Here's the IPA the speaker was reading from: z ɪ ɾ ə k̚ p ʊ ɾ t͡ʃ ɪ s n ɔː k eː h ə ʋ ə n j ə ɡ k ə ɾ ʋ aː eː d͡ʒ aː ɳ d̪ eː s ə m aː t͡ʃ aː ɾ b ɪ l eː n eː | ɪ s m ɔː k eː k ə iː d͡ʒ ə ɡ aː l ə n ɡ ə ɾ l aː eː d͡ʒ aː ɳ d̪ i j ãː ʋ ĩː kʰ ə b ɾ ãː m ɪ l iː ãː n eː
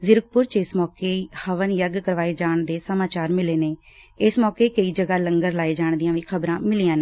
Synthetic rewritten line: z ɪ ɾ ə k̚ p ʊ ɾ t͡ʃ ɪ s m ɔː k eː h ə ʋ ə n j ə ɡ k ə ɾ ʋ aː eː d͡ʒ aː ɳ d̪ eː s ə m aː t͡ʃ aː ɾ m ɪ l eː n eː | ɪ s m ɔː k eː k ə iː d͡ʒ ə ɡ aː l ə ŋ ɡ ə ɾ l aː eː d͡ʒ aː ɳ d̪ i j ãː ʋ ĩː kʰ ə b ɾ ãː m ɪ l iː ãː n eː